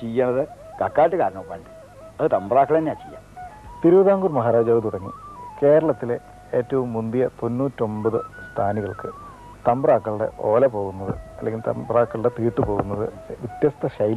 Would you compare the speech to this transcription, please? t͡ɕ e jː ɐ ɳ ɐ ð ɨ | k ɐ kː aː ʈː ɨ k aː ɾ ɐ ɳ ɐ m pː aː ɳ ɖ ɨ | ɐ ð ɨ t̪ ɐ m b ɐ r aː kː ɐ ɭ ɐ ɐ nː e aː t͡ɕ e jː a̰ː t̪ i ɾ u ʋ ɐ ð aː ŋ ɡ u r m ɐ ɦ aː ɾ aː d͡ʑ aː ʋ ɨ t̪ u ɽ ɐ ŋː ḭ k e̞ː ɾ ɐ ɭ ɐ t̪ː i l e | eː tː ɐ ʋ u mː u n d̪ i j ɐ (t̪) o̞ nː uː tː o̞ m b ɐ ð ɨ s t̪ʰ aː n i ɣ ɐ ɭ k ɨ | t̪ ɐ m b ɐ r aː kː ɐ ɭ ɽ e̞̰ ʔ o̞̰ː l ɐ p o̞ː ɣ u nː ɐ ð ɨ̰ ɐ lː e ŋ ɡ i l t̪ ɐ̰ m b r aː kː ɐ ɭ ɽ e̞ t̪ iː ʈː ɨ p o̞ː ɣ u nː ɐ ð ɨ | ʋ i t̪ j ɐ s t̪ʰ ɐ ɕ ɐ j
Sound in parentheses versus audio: correct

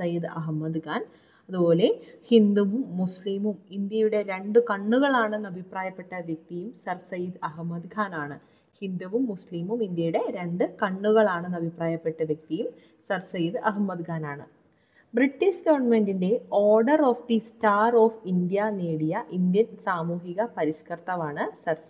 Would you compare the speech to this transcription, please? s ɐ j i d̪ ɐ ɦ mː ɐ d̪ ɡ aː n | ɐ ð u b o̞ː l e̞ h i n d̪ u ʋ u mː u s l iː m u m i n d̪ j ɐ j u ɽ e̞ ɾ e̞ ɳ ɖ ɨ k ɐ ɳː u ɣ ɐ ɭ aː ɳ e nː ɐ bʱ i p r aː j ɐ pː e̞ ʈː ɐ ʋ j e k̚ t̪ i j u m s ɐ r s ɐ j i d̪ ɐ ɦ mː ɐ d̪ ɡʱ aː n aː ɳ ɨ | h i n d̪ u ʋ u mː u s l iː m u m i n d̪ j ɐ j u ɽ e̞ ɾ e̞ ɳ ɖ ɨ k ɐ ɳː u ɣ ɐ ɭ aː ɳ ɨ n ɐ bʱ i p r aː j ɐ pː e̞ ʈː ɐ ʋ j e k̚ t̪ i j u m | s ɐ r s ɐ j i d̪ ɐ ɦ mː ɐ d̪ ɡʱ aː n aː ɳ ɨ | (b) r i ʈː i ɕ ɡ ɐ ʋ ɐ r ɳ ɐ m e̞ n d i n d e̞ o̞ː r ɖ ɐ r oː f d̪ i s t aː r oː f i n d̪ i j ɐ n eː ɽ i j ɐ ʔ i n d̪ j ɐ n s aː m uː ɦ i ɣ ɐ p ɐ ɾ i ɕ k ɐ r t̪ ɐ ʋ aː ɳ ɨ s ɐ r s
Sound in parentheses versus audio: correct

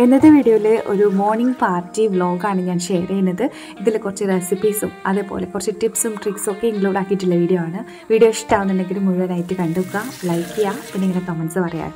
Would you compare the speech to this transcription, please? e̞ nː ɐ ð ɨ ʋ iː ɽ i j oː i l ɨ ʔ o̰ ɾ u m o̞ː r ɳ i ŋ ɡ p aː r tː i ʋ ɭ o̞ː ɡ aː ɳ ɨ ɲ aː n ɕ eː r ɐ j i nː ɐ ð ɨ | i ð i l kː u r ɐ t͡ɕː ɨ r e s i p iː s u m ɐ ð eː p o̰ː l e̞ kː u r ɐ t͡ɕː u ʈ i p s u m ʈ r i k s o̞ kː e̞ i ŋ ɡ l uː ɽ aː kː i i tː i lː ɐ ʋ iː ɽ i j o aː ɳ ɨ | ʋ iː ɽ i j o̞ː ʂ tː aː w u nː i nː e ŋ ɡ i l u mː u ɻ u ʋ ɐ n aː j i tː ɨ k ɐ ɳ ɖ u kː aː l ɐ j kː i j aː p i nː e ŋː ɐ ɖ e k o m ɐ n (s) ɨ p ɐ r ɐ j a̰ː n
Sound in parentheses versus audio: correct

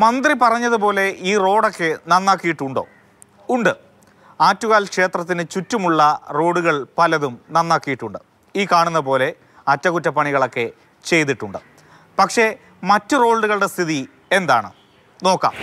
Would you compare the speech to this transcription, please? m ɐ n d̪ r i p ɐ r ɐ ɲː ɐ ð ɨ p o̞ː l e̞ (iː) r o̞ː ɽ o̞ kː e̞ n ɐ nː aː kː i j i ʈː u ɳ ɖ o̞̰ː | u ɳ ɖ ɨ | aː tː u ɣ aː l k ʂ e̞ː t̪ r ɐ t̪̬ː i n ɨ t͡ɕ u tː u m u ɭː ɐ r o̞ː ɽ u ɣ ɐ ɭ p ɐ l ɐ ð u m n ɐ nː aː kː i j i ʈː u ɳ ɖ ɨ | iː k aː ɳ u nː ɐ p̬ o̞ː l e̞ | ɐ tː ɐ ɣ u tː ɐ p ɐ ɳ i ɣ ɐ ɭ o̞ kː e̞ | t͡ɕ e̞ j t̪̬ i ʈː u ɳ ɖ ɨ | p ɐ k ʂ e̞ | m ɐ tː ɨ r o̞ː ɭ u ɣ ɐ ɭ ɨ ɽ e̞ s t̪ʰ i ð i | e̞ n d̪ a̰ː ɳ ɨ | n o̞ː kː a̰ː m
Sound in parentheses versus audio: correct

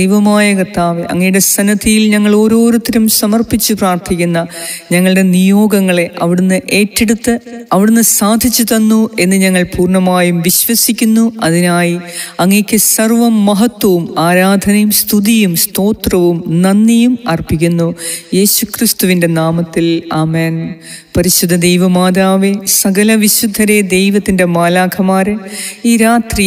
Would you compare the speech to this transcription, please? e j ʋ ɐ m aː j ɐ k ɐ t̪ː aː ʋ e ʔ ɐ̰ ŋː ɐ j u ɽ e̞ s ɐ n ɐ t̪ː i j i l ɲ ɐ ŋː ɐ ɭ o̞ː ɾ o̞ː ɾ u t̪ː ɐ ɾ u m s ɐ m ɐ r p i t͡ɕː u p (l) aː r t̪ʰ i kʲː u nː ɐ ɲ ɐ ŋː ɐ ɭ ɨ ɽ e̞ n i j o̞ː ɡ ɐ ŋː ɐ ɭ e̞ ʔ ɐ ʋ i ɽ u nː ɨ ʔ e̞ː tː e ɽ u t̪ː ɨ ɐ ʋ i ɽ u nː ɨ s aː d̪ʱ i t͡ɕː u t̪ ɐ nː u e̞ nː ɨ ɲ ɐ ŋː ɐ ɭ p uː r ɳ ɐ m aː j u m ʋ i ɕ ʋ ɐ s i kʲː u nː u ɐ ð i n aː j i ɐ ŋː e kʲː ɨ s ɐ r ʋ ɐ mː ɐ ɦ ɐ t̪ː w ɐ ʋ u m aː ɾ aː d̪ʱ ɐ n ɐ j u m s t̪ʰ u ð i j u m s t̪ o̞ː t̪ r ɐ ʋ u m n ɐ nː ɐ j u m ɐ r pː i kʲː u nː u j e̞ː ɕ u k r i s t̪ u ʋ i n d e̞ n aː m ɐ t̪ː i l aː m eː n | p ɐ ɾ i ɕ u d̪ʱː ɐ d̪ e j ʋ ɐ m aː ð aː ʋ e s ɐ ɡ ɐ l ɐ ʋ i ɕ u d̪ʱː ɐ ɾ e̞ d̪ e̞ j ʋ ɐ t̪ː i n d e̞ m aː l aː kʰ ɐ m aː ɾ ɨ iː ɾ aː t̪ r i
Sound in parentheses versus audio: incorrect: r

